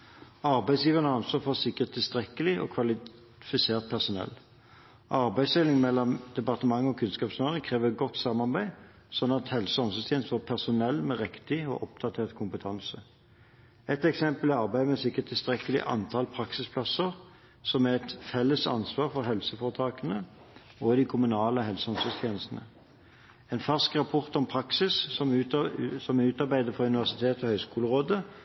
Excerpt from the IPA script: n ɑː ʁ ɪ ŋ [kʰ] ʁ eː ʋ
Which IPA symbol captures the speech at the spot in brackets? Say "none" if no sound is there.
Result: kʰ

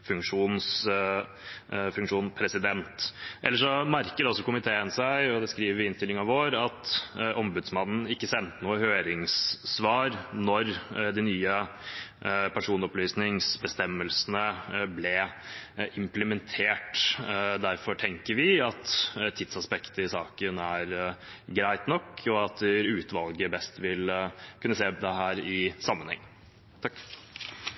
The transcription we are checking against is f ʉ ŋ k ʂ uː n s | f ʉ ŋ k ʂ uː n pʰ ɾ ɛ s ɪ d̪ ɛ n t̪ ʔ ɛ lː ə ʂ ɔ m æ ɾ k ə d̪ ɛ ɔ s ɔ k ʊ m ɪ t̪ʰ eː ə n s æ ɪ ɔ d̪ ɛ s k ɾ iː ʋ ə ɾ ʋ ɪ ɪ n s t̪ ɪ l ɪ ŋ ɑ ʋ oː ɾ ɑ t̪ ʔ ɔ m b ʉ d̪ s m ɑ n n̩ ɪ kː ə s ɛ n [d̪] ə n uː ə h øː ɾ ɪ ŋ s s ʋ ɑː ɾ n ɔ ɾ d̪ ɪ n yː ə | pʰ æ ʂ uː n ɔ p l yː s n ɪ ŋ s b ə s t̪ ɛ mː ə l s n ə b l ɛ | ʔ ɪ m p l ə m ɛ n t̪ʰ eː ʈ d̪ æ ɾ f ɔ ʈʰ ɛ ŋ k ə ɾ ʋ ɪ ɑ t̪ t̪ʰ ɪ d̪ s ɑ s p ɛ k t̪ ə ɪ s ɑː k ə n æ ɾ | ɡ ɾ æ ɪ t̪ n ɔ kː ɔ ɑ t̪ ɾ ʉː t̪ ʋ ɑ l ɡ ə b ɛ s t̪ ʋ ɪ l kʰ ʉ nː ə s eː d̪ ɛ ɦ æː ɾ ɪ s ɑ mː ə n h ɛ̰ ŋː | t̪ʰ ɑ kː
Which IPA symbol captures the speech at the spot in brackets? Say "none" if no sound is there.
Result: t̪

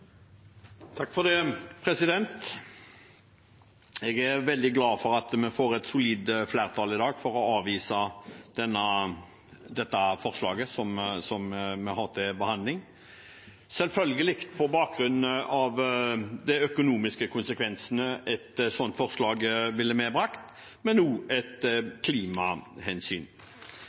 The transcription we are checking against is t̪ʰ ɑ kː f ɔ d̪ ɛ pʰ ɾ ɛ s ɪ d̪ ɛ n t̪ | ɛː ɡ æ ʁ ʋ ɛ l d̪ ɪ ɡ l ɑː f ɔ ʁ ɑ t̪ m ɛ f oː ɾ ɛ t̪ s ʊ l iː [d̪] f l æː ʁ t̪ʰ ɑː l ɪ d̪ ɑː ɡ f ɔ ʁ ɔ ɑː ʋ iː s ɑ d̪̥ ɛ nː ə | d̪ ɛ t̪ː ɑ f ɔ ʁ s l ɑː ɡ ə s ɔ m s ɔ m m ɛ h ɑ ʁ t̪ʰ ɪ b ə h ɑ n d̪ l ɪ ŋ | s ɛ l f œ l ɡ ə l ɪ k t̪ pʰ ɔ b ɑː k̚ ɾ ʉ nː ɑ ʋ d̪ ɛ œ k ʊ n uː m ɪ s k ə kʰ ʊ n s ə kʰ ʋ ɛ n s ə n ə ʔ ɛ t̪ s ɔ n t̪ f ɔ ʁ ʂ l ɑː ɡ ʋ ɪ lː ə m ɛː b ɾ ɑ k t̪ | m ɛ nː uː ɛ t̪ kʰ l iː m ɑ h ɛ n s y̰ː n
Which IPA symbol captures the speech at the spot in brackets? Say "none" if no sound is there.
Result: d̪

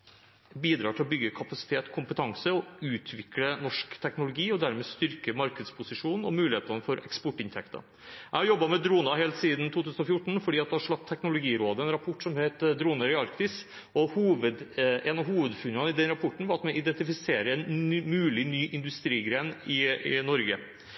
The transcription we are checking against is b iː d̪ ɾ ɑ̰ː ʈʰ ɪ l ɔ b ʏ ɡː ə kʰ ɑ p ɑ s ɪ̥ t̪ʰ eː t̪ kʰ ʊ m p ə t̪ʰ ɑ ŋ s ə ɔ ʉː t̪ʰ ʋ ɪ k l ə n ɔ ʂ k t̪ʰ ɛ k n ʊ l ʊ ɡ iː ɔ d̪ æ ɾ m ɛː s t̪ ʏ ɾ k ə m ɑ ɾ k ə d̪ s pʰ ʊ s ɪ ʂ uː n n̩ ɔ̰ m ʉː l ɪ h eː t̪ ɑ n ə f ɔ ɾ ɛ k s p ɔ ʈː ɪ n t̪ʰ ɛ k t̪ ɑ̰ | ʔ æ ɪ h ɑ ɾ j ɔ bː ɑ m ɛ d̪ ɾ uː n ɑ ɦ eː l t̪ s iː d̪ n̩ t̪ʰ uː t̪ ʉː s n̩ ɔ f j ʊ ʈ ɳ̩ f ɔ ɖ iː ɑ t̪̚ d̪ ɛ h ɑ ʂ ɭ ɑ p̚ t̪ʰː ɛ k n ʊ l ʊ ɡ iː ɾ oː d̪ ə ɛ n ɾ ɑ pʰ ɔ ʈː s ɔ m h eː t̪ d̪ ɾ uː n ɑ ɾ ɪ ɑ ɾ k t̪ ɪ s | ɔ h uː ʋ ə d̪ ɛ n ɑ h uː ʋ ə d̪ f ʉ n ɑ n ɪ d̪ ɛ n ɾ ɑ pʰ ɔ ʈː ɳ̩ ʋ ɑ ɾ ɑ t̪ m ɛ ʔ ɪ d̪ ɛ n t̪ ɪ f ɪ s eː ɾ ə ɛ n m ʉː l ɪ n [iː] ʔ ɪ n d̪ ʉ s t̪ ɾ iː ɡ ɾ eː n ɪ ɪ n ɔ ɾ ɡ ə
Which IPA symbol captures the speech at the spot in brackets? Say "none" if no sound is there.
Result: yː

